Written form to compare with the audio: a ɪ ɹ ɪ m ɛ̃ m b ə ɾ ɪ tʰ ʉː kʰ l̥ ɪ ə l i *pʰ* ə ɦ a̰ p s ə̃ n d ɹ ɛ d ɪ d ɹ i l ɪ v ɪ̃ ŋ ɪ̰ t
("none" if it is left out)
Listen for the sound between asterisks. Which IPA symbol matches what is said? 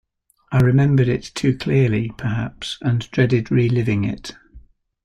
pʰ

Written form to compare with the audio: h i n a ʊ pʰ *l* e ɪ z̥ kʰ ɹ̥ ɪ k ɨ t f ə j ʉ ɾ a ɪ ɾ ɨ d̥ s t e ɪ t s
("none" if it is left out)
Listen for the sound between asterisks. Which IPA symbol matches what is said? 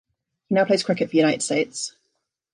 l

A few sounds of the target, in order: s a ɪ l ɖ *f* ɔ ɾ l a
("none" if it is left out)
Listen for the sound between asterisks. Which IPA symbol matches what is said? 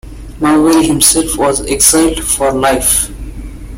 f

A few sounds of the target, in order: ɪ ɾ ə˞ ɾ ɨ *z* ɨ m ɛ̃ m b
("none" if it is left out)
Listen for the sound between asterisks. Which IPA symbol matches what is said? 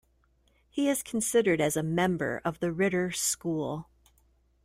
z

